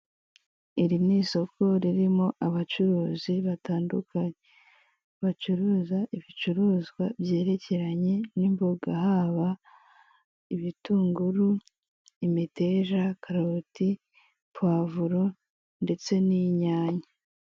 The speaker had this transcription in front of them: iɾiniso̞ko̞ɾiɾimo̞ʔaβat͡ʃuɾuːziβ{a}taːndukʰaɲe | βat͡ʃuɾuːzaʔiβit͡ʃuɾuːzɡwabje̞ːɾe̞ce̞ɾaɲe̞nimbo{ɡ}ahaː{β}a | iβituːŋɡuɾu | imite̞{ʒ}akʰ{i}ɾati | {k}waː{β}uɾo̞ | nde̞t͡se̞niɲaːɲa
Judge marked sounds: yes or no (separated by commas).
yes, yes, yes, yes, no, no, no